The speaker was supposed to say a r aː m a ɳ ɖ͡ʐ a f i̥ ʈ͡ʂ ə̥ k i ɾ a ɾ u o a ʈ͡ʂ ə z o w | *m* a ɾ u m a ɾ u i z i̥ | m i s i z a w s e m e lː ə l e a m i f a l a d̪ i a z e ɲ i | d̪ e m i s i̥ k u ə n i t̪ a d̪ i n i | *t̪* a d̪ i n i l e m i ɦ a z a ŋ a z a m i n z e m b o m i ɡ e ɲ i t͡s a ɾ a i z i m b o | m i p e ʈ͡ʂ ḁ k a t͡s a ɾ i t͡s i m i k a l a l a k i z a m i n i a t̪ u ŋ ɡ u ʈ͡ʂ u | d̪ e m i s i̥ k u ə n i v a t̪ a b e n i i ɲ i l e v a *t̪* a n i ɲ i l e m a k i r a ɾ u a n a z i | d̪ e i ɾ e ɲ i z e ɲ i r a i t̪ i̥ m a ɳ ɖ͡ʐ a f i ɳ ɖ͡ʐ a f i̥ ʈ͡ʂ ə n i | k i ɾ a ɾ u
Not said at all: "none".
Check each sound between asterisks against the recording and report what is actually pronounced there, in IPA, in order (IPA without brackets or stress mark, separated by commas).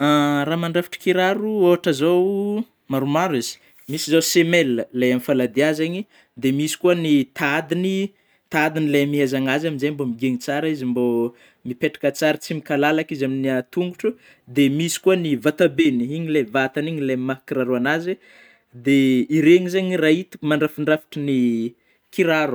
m, t̪, t̪